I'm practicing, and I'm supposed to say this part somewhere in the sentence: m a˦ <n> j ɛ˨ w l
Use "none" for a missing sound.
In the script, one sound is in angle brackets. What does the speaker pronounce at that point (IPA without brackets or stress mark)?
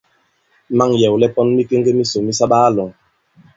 ŋ